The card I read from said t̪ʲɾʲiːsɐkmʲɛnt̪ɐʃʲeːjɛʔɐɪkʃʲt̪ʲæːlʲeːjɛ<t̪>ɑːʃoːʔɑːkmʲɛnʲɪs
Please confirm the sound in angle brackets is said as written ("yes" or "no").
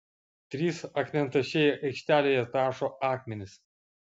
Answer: yes